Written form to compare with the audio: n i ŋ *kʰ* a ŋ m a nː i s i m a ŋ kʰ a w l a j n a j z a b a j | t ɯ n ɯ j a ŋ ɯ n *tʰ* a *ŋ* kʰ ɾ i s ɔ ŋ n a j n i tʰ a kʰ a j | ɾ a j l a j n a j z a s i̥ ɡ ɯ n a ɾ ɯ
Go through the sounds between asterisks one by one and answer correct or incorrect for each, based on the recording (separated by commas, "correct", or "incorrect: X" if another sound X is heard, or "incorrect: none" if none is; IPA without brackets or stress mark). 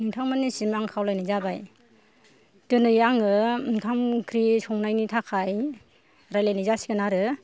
incorrect: tʰ, incorrect: kʰ, incorrect: m